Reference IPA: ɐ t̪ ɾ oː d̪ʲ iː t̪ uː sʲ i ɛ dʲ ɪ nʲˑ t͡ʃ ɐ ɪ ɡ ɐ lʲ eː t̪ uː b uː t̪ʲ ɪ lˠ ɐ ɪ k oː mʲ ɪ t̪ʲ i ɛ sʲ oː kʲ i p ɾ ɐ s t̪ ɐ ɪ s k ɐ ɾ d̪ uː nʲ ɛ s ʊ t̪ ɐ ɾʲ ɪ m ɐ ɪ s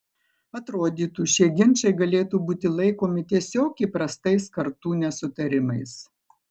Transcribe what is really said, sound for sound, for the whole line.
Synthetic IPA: ɐ t̪ ɾ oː d̪ʲ iː t̪ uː ʃʲ i ɛ ɡʲ ɪ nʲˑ t͡ʃ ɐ ɪ ɡ ɐ lʲ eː t̪ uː b uː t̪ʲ ɪ lˠ ɐ ɪ k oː mʲ ɪ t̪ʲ i ɛ sʲ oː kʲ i p ɾ ɐ s t̪ ɐ ɪ s k ɐ ɾ t̪ uː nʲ ɛ s ʊ t̪ ɐ ɾʲ ɪ m ɐ ɪ s